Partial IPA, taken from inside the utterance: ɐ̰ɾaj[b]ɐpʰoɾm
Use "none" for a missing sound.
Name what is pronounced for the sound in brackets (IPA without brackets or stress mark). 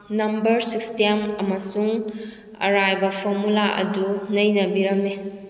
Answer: b